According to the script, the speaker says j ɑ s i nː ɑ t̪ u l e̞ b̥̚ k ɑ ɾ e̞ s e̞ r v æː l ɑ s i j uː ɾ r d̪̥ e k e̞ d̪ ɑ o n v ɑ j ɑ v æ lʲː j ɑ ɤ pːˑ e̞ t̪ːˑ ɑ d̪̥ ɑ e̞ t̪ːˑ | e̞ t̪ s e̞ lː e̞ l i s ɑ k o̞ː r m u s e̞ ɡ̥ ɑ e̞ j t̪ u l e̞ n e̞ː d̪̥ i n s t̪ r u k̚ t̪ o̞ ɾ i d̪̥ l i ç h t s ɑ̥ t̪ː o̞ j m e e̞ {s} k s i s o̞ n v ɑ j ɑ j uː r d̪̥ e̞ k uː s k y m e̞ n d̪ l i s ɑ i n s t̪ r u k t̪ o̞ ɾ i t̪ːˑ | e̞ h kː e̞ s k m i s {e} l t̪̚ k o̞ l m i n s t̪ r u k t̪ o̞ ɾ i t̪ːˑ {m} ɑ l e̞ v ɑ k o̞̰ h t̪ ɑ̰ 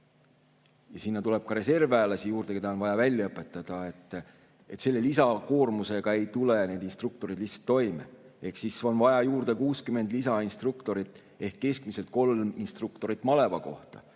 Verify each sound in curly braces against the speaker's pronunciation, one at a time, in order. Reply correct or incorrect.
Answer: incorrect: h, correct, correct

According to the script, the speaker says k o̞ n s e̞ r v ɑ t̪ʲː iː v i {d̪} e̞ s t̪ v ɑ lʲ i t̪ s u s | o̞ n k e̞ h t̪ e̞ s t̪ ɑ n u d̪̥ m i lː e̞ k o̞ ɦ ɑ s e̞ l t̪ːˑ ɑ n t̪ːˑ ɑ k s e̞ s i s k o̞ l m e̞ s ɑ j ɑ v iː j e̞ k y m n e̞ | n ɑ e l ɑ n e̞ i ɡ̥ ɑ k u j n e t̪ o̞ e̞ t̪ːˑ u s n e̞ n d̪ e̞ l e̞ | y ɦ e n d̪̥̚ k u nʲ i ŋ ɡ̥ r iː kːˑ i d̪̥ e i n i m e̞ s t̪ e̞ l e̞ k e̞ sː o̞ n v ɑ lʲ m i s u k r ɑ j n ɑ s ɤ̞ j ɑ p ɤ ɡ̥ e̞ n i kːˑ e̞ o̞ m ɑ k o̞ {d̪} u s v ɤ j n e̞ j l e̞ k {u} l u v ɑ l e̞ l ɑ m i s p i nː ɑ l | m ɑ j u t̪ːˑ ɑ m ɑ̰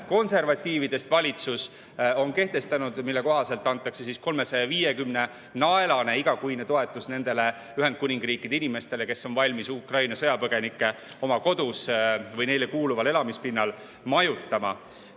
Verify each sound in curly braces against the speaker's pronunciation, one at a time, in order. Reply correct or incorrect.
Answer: correct, correct, incorrect: uː

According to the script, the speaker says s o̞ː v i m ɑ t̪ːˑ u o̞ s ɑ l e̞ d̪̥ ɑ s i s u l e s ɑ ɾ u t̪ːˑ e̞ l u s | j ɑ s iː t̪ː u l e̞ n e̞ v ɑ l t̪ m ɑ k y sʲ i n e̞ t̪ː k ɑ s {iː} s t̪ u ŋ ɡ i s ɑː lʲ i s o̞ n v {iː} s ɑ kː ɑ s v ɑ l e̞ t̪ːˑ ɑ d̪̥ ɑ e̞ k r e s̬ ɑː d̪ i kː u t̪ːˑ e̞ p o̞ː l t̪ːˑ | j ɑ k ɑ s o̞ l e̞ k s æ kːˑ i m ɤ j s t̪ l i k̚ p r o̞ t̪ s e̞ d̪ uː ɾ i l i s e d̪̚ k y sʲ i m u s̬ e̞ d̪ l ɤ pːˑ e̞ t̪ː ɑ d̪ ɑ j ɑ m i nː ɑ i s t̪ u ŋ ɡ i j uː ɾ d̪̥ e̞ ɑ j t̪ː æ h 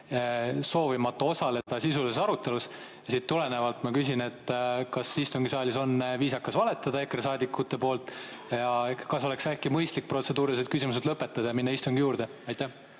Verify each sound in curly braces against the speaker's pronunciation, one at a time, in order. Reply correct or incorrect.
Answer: incorrect: i, correct

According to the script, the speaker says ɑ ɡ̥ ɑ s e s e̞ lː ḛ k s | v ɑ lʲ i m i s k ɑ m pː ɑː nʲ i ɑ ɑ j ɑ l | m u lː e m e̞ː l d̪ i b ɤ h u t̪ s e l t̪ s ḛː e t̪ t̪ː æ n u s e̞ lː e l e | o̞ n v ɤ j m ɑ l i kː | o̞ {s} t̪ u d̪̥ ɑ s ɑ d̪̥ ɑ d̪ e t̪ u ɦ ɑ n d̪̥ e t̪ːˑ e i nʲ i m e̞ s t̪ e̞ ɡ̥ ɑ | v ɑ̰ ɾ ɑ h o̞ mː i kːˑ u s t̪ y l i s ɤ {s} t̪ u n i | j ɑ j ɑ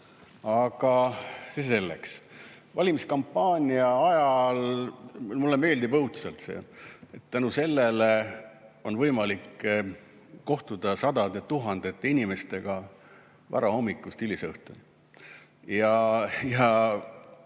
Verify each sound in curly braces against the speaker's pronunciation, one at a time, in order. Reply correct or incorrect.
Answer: incorrect: h, incorrect: h

